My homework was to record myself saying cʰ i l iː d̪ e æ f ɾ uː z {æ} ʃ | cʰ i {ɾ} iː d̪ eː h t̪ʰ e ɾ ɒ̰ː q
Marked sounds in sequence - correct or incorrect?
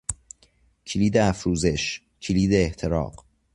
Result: incorrect, incorrect

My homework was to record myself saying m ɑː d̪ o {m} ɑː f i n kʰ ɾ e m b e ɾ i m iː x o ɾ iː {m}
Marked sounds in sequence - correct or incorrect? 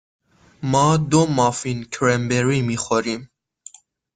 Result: correct, correct

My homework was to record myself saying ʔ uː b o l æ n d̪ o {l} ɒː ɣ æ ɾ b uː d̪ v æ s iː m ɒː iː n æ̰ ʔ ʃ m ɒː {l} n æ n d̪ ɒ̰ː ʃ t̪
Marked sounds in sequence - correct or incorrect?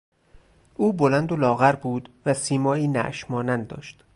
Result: correct, incorrect

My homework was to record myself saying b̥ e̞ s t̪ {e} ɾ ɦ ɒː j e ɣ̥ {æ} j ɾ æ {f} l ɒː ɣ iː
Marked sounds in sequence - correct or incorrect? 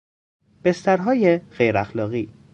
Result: incorrect, incorrect, incorrect

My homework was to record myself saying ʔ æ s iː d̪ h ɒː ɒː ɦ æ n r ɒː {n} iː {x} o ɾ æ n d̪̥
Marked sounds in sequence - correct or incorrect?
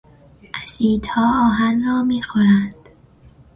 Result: incorrect, correct

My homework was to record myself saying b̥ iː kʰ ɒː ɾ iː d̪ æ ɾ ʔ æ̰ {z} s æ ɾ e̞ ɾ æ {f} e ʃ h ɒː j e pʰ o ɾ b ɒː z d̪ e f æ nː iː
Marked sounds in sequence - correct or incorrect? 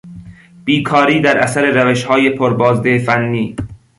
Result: incorrect, incorrect

